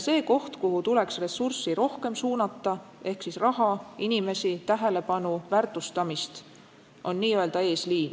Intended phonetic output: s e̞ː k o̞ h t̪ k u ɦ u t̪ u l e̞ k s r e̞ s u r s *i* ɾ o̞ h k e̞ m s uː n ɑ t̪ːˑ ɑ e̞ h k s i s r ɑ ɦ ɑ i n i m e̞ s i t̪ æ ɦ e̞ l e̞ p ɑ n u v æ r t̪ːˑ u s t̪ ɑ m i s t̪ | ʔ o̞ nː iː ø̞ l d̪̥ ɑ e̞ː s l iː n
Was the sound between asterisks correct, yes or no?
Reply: yes